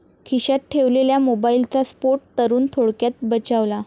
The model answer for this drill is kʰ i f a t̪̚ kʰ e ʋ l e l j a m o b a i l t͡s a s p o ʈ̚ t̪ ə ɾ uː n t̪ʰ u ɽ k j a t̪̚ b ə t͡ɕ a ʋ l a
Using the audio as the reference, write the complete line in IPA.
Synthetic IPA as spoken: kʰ i ɕ a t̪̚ ʈʰ e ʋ l e l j a m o b a i l t͡s a s p o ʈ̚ t̪ ə ɾ uː n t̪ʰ o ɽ k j a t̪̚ b ə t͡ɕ a ʋ l a